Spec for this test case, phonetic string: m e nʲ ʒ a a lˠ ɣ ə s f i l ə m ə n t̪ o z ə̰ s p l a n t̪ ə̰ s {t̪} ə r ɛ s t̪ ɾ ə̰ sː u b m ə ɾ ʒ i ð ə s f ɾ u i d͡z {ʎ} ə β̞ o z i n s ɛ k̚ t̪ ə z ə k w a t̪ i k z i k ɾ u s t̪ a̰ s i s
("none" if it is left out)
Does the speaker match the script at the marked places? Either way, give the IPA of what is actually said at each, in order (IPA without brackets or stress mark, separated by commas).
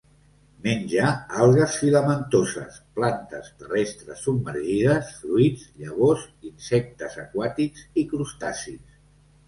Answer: t̪, ʎ